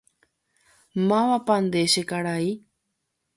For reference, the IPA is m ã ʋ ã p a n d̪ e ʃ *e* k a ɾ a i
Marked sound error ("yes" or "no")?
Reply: no